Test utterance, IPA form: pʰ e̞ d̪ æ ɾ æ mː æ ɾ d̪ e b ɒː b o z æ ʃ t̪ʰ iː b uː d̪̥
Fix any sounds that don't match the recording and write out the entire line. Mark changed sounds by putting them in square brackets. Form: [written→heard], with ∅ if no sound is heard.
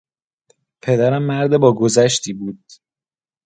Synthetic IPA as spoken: pʰ e̞ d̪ æ ɾ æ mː æ ɾ d̪ e b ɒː [b→ɡ] o z æ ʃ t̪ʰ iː b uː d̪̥